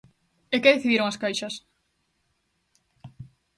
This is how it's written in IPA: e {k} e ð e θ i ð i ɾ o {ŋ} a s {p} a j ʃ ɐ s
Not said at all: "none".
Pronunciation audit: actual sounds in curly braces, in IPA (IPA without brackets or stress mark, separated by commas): k, ŋ, k